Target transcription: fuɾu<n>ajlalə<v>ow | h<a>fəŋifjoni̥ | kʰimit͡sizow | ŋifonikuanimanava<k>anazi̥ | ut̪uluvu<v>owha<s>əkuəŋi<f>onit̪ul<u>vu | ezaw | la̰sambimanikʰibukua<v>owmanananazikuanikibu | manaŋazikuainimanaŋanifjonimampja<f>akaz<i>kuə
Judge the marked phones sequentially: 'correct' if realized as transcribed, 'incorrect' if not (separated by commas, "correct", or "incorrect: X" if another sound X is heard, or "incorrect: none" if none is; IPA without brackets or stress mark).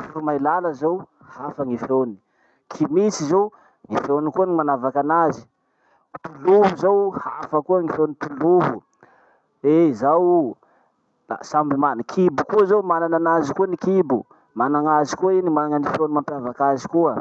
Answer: incorrect: m, incorrect: z, correct, correct, incorrect: z, incorrect: f, correct, correct, incorrect: z, incorrect: v, correct